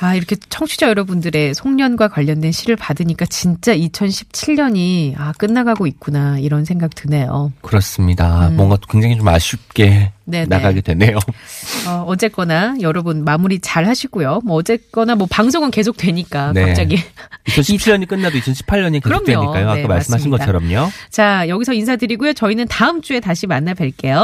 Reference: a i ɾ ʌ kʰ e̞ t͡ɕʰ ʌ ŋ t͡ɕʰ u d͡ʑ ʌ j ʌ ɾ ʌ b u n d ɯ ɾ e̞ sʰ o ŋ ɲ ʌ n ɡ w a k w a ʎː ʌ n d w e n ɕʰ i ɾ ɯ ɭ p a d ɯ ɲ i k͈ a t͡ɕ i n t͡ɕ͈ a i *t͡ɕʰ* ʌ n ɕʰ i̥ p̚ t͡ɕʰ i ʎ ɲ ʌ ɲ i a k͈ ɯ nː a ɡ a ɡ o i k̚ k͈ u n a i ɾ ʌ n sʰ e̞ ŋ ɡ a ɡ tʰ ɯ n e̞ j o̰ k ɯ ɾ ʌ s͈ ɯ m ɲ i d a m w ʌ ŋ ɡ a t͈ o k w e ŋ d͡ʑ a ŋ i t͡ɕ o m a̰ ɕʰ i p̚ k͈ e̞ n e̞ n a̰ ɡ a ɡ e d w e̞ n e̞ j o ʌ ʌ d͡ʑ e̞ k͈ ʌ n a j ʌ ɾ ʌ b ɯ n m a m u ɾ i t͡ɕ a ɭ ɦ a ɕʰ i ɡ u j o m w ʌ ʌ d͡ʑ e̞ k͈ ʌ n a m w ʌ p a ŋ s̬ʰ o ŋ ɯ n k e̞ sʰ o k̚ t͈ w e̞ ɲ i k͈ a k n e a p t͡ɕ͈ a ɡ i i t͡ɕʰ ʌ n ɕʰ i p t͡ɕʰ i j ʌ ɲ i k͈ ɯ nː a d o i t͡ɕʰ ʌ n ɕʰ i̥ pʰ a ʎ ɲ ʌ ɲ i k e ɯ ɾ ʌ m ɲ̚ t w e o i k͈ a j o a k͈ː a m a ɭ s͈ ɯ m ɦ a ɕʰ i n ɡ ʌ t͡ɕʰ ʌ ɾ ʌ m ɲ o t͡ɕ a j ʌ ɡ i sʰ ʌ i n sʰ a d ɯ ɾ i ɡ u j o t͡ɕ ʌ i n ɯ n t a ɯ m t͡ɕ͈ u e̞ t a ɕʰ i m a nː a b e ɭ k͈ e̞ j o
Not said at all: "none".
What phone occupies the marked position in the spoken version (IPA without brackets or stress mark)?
t͡ɕʰ